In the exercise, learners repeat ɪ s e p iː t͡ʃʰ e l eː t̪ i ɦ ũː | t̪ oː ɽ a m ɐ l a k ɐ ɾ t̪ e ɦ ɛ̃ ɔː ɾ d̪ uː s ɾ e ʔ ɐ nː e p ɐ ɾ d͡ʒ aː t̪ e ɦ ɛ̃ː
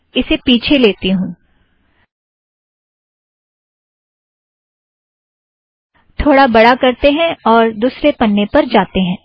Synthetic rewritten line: ɪ s e p iː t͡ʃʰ e l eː t̪ i ɦ ũː | t̪ʰ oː ɽ a b ɐ ɽ a k ɐ ɾ t̪ e ɦ ɛ̃ ɔː ɾ d̪ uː s ɾ e p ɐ nː e p ɐ ɾ d͡ʒ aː t̪ e ɦ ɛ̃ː